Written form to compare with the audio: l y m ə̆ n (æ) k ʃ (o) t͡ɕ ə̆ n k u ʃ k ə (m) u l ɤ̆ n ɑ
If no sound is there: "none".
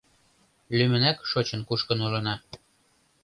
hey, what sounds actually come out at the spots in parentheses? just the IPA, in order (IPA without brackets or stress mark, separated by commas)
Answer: æ, o, n